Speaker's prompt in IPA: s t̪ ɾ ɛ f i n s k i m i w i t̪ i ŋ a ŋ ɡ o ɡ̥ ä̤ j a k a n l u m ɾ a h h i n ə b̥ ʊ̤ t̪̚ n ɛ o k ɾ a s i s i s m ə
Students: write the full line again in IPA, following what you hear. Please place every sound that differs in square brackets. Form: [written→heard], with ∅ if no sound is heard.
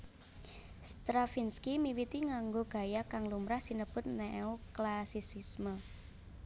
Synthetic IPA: s t̪ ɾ [ɛ→a] f i n s k i m i w i t̪ i ŋ a ŋ ɡ o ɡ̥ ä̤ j a k a [n→ŋ] l u m ɾ a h [h→s] i n ə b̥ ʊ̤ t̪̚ n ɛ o k [ɾ→l] a s i s i s m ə